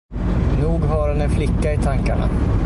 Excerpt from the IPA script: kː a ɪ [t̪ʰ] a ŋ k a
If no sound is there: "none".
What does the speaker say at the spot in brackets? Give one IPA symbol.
t̪ʰ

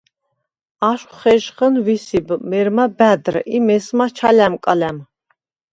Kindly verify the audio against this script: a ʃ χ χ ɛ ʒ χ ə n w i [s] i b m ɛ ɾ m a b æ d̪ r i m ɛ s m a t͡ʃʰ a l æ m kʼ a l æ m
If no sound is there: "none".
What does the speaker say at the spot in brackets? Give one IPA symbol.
s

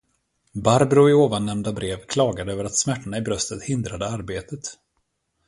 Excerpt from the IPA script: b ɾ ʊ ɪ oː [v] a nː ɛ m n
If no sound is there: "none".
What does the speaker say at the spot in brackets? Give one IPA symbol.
v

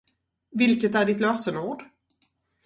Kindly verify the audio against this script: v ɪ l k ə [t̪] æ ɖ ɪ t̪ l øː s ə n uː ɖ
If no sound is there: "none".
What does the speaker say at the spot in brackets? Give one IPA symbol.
t̪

